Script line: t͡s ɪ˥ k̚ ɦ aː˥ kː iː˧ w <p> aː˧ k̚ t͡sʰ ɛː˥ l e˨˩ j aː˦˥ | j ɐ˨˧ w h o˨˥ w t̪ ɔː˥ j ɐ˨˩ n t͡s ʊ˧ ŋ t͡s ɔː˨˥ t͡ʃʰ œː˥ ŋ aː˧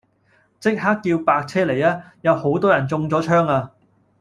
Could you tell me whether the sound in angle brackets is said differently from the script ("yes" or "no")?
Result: no